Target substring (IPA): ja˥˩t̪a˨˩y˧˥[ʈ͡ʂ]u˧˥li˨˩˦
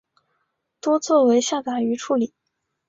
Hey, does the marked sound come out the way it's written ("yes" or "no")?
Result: no